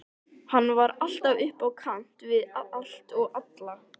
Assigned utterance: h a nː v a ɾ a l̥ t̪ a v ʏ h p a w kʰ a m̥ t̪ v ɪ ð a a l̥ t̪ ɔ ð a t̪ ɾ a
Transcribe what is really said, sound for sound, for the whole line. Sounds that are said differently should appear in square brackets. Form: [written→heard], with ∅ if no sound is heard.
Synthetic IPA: h a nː v a ɾ a l̥ t̪ a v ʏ h p a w kʰ a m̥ t̪ v ɪ ð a a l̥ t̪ ɔ [ð→ɣ] a t̪ [ɾ→l] a